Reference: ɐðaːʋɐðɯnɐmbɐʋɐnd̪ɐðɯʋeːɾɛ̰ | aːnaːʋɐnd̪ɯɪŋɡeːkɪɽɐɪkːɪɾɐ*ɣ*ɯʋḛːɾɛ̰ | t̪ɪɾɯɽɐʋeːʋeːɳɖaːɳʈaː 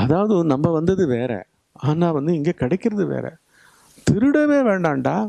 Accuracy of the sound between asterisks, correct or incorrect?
incorrect